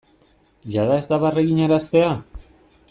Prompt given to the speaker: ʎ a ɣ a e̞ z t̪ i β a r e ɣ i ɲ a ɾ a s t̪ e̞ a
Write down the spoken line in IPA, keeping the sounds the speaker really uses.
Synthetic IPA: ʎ a ð a e̞ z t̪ a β a r e ɣ i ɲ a ɾ a s t̪ e̞ a